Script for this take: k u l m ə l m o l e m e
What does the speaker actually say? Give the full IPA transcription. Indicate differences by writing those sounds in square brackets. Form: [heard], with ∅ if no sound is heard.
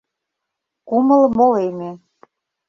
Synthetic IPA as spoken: k u [∅] m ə l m o l e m e